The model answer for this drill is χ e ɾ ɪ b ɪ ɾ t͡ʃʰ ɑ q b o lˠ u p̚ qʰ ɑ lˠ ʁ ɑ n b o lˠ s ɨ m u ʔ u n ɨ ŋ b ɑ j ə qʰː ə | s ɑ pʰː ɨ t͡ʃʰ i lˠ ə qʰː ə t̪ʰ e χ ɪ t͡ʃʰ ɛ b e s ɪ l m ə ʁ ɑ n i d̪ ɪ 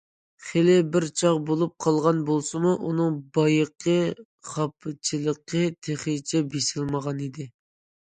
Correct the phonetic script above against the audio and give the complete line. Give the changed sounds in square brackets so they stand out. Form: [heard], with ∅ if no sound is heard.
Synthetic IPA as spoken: χ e [l] ɪ b ɪ ɾ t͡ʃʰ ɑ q b o lˠ u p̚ qʰ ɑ lˠ ʁ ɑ n b o lˠ s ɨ m u ʔ u n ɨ ŋ b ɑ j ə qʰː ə | [χ] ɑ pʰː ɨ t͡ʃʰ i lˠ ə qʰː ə t̪ʰ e χ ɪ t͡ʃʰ ɛ b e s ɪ l m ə ʁ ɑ n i d̪ ɪ